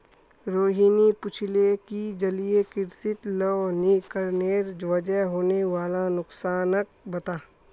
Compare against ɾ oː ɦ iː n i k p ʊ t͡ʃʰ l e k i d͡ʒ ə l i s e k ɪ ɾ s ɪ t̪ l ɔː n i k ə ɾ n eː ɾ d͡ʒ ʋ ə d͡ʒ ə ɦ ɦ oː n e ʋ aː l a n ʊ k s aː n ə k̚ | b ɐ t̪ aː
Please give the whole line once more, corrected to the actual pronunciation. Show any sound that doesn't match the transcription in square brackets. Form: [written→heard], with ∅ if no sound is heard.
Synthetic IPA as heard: ɾ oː ɦ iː n i [k→∅] p ʊ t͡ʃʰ l e k i d͡ʒ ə l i [s→∅] e k ɪ ɾ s ɪ t̪ l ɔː n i k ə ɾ n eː ɾ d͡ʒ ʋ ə d͡ʒ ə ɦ ɦ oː n e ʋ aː l a n ʊ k s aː n ə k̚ | b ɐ t̪ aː